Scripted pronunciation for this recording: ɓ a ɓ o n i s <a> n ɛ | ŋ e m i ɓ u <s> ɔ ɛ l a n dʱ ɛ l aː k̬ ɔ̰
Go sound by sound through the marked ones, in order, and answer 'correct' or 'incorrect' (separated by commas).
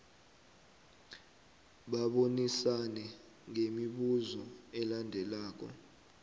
correct, incorrect